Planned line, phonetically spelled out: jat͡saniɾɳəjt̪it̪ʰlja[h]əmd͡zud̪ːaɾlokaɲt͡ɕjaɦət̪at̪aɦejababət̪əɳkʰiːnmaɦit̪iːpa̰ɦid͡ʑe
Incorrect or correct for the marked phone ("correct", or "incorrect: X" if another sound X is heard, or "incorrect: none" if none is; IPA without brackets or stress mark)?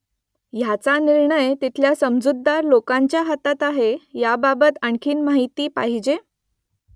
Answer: incorrect: s